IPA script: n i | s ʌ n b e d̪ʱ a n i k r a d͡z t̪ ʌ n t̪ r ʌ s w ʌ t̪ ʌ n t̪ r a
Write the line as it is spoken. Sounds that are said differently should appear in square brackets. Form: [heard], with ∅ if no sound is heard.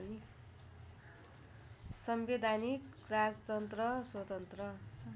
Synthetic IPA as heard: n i | s ʌ [m] b e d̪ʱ a n i k r a d͡z t̪ ʌ n t̪ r ʌ s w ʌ t̪ ʌ n t̪ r [ʌ]